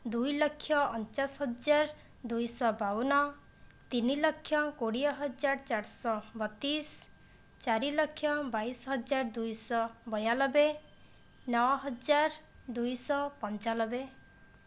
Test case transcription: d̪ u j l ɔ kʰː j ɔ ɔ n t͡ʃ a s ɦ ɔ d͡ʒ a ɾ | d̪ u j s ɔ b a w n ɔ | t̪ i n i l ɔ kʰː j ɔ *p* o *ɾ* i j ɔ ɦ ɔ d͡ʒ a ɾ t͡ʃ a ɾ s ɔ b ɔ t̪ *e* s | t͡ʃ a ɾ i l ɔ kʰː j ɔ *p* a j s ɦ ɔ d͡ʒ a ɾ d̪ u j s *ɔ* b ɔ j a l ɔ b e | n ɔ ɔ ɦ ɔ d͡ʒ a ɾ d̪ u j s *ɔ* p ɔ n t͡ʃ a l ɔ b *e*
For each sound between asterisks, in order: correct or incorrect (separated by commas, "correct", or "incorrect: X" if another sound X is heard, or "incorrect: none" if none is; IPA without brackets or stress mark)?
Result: incorrect: k, incorrect: ɽ, incorrect: i, incorrect: b, correct, correct, correct